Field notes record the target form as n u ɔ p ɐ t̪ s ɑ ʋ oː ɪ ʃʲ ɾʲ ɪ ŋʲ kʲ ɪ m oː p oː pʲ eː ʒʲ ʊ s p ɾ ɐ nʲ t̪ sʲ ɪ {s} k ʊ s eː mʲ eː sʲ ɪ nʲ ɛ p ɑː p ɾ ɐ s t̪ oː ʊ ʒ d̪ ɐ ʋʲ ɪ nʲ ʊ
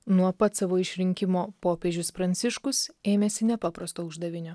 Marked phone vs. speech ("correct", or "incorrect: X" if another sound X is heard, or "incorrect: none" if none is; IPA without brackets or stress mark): incorrect: ʃ